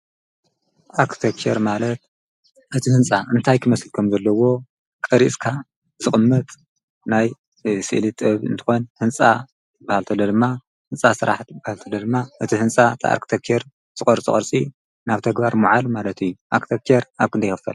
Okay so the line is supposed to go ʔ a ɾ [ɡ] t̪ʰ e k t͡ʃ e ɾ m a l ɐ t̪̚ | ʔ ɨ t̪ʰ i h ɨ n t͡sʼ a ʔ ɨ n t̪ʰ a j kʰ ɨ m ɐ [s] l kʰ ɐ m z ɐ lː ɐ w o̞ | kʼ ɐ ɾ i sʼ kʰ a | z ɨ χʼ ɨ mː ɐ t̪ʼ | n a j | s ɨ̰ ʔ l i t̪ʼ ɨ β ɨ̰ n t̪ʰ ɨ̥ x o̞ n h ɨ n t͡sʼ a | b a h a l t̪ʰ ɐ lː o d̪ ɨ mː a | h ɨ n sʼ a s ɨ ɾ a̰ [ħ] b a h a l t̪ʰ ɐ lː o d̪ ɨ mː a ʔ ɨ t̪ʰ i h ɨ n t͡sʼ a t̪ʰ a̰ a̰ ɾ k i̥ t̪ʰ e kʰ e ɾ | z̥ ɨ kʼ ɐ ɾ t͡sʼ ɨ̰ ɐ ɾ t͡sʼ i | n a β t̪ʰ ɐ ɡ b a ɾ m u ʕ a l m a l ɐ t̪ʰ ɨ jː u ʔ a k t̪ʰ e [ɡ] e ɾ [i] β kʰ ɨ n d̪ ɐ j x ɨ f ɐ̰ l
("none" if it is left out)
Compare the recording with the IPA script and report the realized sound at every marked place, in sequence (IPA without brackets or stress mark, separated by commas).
k, s, ħ, k, a